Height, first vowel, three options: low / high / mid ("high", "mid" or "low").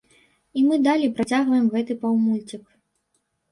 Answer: high